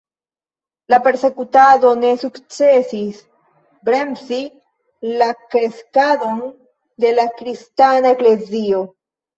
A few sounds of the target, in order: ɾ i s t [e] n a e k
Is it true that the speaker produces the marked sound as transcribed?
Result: no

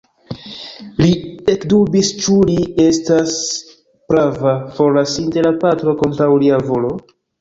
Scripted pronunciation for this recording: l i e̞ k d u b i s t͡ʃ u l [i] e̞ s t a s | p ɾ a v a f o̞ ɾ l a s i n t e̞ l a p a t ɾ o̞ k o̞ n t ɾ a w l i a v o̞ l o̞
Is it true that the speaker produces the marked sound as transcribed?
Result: yes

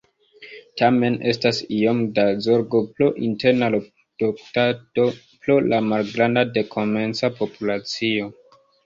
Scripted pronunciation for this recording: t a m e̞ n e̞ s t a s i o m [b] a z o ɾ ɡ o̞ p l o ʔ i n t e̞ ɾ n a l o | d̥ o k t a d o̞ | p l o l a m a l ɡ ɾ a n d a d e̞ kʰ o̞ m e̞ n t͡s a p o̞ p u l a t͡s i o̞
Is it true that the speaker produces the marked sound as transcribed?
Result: no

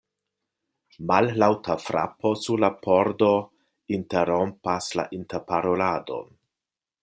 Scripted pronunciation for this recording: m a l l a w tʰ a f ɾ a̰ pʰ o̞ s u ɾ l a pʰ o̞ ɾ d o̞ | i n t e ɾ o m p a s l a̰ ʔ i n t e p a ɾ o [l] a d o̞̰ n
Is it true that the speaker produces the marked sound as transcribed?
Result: yes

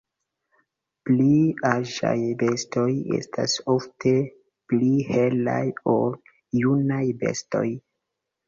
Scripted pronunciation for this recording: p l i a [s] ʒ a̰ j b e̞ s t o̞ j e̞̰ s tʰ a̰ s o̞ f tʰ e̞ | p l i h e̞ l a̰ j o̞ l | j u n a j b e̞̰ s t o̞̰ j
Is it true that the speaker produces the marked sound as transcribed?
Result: no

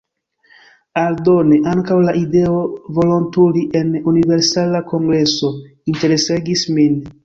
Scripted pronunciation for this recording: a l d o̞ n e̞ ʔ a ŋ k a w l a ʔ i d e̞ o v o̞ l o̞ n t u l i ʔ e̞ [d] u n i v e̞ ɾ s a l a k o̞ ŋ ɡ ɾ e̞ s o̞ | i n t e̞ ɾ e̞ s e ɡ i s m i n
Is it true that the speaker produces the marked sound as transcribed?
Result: no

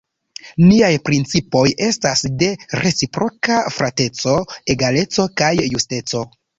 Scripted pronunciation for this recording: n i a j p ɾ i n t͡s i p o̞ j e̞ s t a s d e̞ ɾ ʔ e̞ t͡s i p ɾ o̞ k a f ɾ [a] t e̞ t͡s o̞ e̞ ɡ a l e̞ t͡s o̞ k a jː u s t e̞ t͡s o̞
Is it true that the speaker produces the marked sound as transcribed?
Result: yes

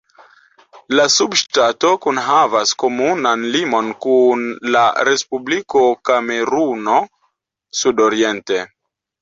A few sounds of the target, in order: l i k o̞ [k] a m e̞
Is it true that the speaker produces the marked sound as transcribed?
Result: yes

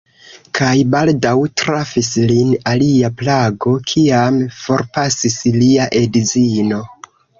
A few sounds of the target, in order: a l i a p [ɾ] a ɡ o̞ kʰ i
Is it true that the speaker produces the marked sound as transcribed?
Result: no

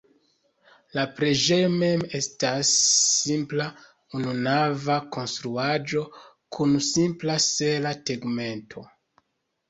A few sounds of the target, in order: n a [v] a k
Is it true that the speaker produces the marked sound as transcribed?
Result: yes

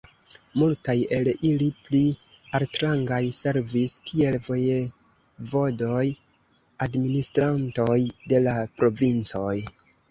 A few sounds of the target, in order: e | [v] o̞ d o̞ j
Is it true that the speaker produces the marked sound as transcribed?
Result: yes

